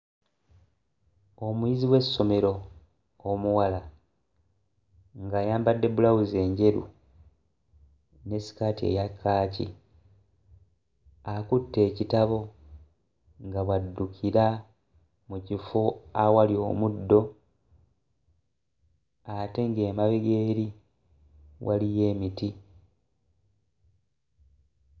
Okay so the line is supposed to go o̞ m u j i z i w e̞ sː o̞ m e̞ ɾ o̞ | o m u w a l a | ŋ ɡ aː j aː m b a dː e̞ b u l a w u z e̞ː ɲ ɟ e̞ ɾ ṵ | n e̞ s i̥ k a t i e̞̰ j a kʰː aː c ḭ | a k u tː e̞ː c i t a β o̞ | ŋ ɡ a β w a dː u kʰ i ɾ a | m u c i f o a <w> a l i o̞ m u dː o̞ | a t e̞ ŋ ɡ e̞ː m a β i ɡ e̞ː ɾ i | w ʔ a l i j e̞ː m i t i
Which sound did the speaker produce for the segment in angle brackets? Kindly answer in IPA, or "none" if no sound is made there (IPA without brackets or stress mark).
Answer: w